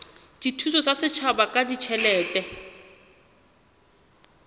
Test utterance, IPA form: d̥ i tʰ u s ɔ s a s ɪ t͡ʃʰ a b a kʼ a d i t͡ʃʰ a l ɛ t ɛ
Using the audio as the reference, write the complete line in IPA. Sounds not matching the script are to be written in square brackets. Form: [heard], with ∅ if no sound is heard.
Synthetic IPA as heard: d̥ i tʰ u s ɔ s a s ɪ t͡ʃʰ a b a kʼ a d i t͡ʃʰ [ɛ] l [ɛː] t ɛ